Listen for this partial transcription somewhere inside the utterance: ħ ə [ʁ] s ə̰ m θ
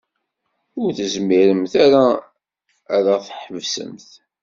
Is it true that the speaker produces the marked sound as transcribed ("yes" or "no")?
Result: no